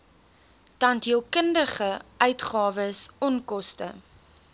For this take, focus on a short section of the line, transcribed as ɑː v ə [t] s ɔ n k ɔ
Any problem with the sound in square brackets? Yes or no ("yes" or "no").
yes